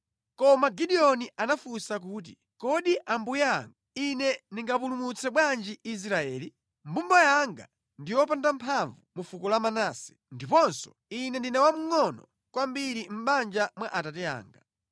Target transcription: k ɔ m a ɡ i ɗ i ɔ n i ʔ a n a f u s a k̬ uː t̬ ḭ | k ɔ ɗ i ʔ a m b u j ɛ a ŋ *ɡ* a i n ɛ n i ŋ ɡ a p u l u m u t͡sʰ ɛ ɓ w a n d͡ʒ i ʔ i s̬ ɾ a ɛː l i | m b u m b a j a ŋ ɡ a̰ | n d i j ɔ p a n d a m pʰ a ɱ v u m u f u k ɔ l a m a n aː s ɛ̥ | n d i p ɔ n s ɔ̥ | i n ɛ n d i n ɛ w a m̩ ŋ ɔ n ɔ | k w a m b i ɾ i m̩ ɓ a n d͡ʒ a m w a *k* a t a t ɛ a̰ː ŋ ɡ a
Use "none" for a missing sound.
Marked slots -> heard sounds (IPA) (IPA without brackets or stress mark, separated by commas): ɡ, ʔ